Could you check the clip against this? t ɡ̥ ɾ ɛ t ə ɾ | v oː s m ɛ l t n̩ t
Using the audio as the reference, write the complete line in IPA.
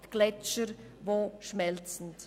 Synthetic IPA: t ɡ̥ l ɛ t͡ʃ ə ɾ | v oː ʃ m ɛ l t͡s n̩ t